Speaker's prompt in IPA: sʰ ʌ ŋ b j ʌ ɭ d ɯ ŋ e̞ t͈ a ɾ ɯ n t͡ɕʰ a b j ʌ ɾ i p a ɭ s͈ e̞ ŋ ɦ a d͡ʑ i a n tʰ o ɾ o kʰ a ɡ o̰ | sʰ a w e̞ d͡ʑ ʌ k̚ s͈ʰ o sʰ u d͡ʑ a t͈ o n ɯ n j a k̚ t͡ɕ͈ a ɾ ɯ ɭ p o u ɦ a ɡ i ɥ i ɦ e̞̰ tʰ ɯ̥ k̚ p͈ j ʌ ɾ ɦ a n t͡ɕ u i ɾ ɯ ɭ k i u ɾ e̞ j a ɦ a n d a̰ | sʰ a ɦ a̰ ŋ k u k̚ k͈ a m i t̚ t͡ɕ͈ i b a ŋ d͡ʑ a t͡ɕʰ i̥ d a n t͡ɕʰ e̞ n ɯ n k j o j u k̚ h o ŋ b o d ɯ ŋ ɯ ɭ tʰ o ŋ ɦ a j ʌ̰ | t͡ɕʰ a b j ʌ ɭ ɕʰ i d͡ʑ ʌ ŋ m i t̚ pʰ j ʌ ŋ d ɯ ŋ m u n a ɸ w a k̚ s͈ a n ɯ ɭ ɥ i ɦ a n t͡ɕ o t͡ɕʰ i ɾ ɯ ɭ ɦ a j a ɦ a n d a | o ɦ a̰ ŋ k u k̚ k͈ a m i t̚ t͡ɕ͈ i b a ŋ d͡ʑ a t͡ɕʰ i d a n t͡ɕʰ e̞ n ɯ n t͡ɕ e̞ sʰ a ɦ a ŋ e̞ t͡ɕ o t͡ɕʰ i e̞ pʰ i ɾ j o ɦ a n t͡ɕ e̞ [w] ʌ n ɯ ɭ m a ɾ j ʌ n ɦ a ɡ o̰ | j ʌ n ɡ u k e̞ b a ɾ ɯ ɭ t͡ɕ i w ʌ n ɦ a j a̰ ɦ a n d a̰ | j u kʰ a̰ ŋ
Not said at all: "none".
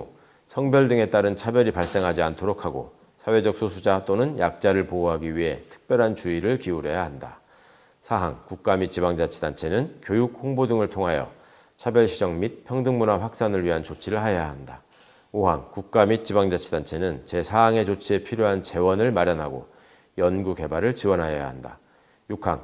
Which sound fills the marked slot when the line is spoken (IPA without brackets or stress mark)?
w